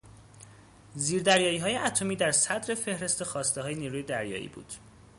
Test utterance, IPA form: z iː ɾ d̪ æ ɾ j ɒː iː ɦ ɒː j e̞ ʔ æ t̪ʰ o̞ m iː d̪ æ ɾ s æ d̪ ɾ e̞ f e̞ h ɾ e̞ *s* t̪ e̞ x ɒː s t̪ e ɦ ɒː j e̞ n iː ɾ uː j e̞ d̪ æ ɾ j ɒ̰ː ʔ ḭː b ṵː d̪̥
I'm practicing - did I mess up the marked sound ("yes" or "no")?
no